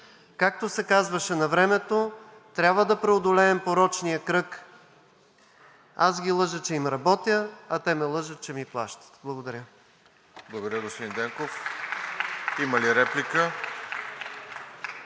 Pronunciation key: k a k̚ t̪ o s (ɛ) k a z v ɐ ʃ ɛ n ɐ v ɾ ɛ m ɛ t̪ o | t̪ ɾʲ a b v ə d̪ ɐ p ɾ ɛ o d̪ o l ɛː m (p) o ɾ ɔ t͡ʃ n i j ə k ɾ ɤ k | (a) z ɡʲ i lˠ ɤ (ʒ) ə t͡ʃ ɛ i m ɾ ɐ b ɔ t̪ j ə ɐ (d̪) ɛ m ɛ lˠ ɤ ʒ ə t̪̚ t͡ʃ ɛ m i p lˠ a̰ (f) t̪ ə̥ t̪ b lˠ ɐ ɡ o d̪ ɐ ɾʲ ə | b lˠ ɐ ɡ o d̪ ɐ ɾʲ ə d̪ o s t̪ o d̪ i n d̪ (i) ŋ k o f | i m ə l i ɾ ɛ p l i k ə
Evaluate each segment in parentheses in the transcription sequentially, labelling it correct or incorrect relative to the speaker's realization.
correct, correct, correct, correct, incorrect: t̪, incorrect: ʃ, incorrect: ɛ

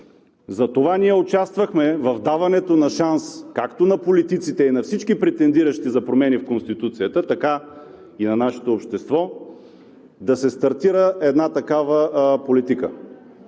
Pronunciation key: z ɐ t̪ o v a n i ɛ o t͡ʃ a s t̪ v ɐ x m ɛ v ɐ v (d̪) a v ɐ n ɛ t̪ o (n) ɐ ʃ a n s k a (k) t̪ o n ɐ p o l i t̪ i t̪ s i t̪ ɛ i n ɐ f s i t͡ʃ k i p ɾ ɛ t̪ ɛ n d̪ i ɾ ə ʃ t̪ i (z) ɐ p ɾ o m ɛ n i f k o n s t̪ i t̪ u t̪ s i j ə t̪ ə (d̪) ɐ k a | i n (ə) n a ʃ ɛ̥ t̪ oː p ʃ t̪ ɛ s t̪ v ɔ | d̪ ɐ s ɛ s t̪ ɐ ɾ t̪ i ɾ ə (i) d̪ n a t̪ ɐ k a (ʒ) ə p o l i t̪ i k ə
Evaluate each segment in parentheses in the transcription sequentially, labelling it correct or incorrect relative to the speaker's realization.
correct, correct, correct, correct, incorrect: t̪, incorrect: ɐ, incorrect: ɛ, incorrect: v

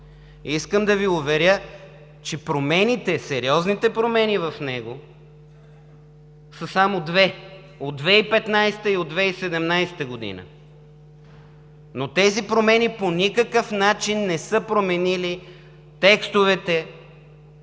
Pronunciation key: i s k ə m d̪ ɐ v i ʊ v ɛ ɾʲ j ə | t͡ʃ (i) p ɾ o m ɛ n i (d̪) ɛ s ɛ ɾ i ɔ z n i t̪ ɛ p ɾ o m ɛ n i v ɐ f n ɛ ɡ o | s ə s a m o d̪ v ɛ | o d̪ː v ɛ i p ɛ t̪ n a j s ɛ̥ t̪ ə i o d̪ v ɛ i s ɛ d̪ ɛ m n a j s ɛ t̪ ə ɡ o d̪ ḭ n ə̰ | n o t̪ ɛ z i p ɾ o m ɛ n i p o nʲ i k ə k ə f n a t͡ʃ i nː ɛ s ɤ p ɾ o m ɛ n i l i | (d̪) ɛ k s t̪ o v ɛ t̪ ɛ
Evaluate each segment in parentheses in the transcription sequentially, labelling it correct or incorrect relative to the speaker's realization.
incorrect: ɛ, incorrect: t̪, incorrect: t̪

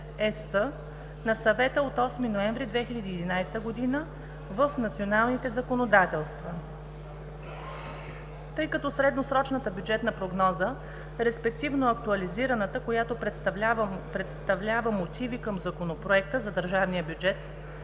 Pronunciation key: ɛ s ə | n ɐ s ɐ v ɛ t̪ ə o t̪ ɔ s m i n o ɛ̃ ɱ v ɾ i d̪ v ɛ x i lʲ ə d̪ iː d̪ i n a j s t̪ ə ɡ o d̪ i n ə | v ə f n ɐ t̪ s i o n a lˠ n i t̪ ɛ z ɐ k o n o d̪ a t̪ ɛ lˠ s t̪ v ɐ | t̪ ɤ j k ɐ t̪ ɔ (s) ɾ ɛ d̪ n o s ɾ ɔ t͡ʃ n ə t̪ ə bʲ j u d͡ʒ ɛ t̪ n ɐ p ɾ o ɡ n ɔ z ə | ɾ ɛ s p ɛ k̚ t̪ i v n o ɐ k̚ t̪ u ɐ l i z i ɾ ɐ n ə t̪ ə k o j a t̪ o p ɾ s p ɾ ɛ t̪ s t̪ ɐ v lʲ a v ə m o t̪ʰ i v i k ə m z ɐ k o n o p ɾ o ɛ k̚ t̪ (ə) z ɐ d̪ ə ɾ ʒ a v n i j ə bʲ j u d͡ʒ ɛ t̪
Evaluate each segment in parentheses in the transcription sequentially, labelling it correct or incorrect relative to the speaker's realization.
correct, correct

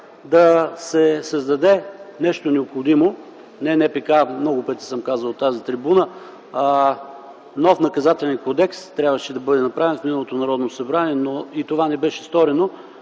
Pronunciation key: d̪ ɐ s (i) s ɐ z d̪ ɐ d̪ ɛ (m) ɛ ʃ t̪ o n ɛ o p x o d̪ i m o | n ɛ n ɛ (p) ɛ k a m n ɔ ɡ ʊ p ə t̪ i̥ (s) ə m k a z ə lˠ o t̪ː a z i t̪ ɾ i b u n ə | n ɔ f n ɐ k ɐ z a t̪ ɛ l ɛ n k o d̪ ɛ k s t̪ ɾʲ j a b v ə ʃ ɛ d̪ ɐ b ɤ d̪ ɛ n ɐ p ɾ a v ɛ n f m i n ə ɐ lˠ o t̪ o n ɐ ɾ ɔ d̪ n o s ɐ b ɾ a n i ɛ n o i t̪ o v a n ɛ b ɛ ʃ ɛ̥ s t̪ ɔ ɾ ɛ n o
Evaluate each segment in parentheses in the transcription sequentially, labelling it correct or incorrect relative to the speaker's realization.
incorrect: ɛ, incorrect: n, correct, correct

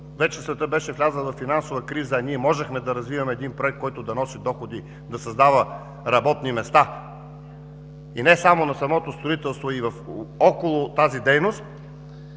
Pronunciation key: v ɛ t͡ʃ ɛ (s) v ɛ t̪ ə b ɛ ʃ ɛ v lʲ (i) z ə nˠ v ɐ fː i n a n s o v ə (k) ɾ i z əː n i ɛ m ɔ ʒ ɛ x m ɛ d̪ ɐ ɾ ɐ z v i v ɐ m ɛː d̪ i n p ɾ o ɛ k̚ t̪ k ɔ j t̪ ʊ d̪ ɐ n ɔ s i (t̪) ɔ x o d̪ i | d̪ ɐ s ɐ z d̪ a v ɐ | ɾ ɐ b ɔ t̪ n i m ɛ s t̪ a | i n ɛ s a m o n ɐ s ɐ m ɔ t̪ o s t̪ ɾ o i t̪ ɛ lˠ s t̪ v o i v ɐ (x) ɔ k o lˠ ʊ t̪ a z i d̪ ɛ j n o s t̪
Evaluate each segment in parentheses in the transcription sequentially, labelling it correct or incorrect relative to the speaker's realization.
correct, incorrect: a, correct, incorrect: d̪, incorrect: f

